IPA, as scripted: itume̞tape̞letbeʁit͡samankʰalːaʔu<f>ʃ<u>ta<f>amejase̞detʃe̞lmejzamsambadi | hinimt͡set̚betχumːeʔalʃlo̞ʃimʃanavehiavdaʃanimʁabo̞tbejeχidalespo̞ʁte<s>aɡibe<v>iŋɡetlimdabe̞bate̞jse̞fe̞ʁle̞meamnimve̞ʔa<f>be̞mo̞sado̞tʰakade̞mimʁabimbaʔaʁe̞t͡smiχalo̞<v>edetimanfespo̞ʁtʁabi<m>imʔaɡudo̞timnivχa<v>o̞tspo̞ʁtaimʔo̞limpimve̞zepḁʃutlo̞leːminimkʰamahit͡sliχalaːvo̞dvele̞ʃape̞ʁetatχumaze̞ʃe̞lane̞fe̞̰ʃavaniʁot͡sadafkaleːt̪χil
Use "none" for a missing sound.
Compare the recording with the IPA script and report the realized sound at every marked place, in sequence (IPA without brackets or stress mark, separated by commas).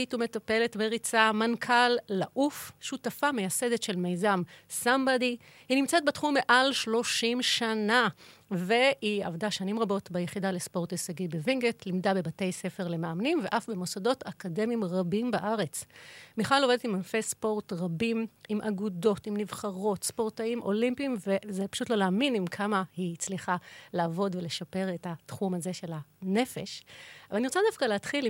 f, u, f, s, v, f, v, m, ʁ